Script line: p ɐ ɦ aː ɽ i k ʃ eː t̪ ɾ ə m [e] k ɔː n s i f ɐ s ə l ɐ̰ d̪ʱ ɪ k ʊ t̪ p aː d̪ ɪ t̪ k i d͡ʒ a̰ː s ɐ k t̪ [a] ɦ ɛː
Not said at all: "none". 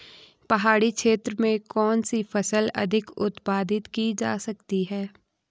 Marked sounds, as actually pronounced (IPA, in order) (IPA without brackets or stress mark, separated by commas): ẽ, i